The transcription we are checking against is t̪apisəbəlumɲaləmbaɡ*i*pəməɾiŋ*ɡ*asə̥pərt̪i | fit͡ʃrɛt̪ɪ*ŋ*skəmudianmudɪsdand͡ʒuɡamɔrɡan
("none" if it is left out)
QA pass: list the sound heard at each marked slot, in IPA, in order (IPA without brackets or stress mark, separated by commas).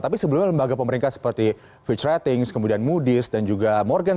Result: a, k, ŋ